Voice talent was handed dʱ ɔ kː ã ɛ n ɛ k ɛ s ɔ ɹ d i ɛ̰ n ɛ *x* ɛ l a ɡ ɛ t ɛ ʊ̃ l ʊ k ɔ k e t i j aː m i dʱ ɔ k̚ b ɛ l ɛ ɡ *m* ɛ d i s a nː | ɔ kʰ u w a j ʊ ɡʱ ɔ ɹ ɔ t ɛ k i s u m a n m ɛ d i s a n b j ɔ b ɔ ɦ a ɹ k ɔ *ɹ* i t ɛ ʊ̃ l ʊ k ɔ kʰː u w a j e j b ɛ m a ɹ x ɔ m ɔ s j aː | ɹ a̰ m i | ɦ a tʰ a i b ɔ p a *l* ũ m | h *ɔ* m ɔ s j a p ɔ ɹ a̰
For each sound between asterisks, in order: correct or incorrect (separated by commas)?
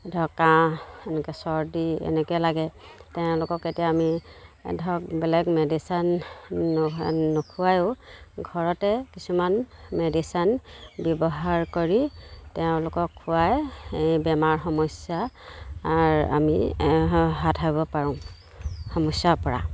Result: incorrect, correct, correct, incorrect, correct